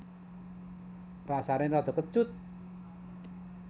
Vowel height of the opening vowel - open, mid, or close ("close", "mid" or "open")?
open